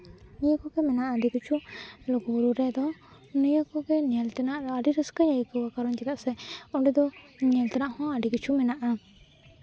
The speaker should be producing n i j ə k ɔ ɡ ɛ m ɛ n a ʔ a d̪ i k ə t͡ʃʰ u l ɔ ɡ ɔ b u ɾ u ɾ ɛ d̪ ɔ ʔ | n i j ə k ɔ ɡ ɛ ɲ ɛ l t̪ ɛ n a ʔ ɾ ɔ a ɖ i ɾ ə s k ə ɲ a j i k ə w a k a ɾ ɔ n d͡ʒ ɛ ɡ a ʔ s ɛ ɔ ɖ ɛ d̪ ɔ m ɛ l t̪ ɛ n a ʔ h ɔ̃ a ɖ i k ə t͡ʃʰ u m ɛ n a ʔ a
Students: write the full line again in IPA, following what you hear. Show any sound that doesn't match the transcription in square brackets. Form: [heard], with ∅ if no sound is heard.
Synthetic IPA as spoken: n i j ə k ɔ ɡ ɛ m ɛ n a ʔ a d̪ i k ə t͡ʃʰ u l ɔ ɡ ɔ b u ɾ u ɾ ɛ d̪ ɔ [∅] | n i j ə k ɔ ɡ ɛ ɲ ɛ l t̪ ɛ n a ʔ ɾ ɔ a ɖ i ɾ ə s k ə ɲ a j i k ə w a k a ɾ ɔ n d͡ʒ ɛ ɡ a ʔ s ɛ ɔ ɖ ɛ d̪ ɔ [ɲ] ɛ l t̪ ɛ n a ʔ h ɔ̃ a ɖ i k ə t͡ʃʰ u m ɛ n a ʔ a